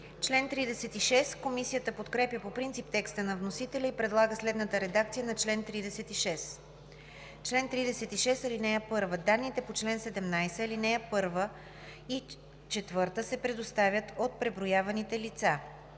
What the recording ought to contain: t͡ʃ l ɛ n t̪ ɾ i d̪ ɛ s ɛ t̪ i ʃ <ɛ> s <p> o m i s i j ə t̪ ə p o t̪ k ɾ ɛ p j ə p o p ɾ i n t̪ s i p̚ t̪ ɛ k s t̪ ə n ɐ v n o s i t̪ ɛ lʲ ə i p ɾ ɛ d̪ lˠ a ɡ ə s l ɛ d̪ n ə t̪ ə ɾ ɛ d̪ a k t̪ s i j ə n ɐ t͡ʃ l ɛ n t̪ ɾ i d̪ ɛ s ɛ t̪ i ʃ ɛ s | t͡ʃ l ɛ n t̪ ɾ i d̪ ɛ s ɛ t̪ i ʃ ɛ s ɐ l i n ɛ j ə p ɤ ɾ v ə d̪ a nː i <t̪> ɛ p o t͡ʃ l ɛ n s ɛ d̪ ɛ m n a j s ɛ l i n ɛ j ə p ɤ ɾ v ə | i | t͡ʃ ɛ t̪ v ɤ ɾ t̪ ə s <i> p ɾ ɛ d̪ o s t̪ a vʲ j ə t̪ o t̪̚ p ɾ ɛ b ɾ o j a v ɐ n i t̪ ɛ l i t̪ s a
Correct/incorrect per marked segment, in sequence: correct, incorrect: k, correct, incorrect: ɛ

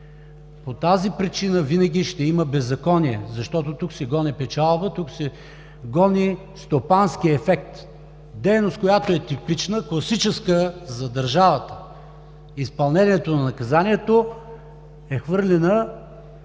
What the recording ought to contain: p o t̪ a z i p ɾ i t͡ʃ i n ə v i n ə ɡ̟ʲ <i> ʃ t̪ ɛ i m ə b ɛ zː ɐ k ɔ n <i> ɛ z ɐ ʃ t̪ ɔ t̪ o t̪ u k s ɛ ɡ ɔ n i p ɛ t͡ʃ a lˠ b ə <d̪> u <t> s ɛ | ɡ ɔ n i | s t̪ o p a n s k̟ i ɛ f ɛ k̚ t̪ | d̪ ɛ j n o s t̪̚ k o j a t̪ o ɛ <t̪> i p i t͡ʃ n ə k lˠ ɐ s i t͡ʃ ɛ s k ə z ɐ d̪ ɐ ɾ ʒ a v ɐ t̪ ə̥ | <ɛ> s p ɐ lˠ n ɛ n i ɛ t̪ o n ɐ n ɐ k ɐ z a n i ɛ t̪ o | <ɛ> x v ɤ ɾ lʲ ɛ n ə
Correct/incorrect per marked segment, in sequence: correct, correct, incorrect: t̪, incorrect: k, correct, incorrect: i, correct

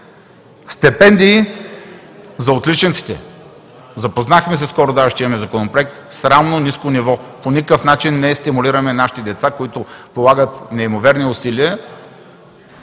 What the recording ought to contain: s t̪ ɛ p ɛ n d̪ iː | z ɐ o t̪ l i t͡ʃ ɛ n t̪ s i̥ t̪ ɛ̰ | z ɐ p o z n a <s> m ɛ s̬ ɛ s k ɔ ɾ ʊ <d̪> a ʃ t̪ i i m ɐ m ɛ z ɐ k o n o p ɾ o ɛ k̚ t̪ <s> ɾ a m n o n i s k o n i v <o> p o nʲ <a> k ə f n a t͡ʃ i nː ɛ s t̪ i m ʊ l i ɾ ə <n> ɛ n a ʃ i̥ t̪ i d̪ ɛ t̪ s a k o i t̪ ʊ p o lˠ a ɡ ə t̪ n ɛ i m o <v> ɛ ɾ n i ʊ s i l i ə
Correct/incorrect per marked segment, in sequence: incorrect: x, correct, correct, incorrect: ɔ, incorrect: i, incorrect: m, correct

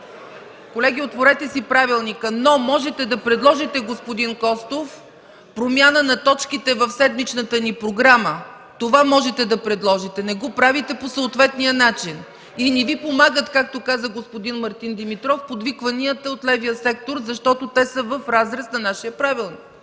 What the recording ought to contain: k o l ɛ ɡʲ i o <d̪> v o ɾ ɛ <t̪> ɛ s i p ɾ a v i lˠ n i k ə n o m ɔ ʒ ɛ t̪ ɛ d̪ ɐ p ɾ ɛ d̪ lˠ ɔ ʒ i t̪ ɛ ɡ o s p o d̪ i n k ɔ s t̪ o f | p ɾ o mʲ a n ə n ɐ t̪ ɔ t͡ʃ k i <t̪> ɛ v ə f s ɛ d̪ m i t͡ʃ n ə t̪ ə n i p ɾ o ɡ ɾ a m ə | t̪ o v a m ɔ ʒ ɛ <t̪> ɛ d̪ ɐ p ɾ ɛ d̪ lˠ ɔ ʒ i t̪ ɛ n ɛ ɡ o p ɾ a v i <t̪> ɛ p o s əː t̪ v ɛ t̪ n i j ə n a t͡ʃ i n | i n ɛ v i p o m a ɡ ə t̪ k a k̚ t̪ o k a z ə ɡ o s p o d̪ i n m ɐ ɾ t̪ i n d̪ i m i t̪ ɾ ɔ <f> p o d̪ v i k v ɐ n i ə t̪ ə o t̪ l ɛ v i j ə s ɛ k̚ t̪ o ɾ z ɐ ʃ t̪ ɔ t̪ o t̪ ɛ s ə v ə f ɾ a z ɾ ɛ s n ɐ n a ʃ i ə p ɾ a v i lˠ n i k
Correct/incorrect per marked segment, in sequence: incorrect: t̪, correct, correct, correct, correct, correct

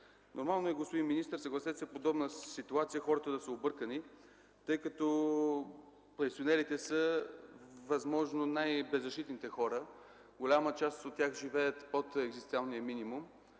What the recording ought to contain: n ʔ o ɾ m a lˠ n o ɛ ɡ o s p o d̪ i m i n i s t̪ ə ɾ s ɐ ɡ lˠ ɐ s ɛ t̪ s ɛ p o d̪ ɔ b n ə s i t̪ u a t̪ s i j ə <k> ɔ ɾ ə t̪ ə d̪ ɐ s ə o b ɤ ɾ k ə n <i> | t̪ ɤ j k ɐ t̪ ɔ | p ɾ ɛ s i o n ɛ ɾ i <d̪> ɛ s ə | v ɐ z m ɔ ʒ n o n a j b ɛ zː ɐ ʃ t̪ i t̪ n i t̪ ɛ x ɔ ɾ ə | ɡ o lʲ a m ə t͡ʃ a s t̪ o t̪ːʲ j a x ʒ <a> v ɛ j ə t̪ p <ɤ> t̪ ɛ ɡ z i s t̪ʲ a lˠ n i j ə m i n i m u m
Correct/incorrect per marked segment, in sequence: incorrect: x, correct, incorrect: t̪, incorrect: i, incorrect: o

